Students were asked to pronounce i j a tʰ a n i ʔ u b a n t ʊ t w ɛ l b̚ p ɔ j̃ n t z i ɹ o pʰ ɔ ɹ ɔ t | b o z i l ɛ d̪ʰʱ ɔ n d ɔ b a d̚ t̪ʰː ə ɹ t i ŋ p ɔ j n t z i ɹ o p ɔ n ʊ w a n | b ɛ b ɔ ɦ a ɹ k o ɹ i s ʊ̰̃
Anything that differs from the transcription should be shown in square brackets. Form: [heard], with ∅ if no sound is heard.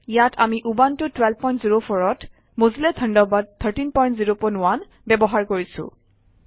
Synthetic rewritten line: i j a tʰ a [m] i ʔ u b a n t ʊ t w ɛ l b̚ p ɔ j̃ n t z i ɹ o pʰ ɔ ɹ ɔ t | [m] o z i l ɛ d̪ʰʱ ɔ n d ɔ b a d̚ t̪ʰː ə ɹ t i [n] p ɔ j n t z i ɹ o p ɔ n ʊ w a n | b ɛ b ɔ ɦ a ɹ k o ɹ i s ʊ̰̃